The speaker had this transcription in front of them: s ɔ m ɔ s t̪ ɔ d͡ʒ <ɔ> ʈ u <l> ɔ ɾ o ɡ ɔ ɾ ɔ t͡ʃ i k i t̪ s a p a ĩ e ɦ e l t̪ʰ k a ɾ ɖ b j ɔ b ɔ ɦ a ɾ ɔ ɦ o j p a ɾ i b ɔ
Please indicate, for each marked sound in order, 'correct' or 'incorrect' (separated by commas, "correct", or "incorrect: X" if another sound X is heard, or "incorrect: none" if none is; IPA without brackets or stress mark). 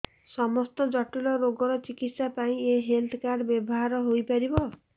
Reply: correct, correct